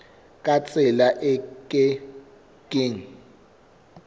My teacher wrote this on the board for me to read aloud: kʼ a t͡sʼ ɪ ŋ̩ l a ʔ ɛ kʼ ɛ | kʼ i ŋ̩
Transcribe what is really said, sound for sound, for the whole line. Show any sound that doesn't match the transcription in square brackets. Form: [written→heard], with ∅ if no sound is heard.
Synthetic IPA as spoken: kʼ a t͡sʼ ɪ [ŋ̩→∅] l a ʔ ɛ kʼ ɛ | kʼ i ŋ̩